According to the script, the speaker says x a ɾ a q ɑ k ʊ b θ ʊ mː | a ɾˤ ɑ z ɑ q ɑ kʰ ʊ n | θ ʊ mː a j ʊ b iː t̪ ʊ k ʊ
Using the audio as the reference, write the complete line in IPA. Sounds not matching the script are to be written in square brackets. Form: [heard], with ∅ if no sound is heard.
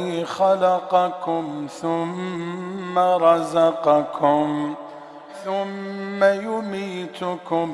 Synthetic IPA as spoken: x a [l] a q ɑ k ʊ [m] θ ʊ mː | a ɾˤ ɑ z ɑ q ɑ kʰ ʊ [m] | θ ʊ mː a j ʊ [m] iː t̪ ʊ k ʊ